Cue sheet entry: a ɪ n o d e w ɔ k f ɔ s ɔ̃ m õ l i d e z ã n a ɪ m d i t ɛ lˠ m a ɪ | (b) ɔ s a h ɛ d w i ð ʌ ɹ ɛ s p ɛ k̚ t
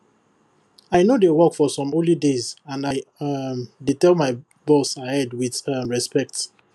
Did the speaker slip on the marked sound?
no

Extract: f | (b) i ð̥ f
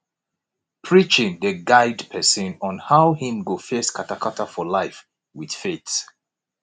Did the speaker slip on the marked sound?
yes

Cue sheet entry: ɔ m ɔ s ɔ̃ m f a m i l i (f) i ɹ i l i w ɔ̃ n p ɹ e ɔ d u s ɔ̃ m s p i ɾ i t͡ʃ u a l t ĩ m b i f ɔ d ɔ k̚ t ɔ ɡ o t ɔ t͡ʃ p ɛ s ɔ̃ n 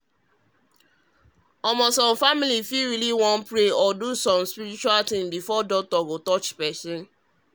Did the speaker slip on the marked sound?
no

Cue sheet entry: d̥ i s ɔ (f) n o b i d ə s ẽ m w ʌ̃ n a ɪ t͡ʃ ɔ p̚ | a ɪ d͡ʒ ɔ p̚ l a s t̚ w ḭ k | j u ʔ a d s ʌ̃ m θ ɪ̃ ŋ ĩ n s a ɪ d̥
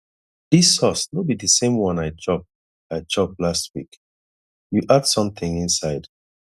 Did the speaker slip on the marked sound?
yes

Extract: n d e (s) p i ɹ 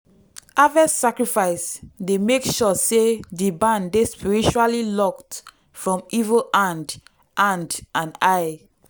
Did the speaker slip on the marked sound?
no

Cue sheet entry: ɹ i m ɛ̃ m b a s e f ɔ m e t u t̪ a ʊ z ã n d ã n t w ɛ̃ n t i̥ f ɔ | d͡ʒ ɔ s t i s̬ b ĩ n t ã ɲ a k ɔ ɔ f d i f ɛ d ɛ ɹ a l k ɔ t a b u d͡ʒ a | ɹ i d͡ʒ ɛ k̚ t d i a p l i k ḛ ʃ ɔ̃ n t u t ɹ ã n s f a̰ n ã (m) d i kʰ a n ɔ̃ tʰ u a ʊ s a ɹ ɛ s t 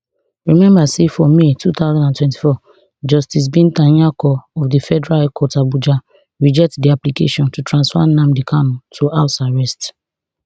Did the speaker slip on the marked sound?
no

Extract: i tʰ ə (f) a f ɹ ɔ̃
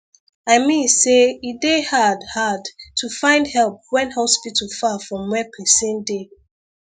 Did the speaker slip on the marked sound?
no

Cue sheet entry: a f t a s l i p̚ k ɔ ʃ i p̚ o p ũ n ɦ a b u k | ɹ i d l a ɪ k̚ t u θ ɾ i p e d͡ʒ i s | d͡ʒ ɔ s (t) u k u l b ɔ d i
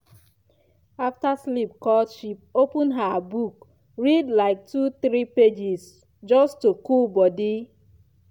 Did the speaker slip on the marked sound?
no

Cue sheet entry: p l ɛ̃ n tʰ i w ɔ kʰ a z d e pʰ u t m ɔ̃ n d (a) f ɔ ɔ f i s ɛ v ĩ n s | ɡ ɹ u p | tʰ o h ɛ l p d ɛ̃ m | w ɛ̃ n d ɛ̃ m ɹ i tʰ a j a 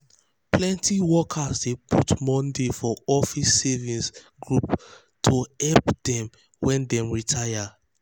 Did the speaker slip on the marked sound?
yes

